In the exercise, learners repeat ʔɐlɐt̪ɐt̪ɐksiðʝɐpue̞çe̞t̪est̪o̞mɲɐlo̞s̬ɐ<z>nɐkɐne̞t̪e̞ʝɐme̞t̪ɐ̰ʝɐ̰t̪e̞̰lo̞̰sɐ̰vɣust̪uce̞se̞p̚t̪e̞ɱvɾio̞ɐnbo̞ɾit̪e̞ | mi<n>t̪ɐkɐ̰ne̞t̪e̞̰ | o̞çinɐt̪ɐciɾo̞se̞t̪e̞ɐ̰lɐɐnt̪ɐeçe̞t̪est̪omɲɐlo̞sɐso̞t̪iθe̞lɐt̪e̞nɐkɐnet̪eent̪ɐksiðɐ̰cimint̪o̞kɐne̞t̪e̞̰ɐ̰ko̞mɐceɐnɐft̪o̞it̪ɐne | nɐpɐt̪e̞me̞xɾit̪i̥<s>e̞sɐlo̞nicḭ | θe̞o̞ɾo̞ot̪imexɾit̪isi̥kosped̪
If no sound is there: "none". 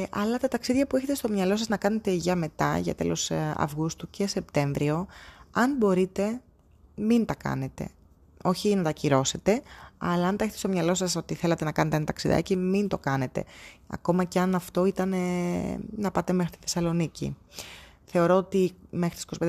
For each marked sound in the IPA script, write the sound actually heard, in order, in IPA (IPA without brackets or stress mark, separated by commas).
z, n, θ